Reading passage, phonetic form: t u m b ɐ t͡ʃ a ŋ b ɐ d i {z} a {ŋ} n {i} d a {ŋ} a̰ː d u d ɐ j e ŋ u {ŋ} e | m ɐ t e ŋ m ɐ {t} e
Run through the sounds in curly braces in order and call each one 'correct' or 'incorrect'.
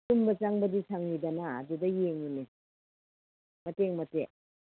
incorrect, correct, correct, incorrect, incorrect, correct

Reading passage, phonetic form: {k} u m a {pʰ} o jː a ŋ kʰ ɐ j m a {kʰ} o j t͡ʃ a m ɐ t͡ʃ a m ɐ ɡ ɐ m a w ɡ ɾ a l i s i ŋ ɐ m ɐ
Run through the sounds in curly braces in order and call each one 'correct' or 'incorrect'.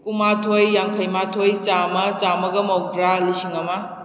correct, incorrect, incorrect

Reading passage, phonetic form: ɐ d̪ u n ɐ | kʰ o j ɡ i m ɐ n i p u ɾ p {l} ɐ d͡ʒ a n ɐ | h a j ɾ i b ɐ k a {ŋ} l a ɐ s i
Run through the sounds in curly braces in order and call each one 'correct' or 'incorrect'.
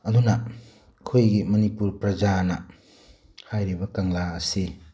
incorrect, correct

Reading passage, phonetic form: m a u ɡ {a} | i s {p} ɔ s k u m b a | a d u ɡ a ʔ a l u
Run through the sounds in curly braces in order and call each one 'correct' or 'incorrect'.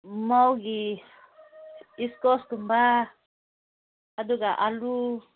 incorrect, incorrect

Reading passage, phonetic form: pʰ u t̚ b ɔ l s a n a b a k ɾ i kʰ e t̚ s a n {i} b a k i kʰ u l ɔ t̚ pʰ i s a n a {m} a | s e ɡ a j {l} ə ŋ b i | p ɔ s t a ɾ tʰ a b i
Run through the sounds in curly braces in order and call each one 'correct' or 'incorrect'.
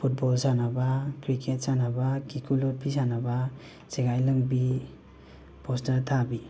incorrect, incorrect, correct

